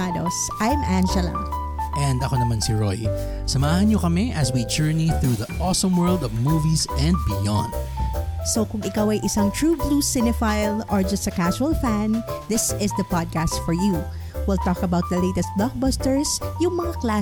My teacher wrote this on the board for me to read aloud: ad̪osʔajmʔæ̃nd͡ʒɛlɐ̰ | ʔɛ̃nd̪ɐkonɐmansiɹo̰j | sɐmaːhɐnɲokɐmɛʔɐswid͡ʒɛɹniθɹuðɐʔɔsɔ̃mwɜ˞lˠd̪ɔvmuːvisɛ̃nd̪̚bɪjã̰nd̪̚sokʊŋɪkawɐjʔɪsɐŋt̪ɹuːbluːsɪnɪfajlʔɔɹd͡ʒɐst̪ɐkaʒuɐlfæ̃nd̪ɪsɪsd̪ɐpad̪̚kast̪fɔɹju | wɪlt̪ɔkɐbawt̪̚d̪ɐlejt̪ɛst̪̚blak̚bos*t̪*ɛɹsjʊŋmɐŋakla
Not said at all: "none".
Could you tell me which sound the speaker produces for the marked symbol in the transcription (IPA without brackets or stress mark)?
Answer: t̪